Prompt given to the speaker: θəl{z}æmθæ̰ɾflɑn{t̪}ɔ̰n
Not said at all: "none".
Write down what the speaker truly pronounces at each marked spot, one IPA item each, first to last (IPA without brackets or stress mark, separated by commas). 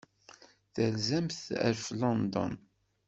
z, d̪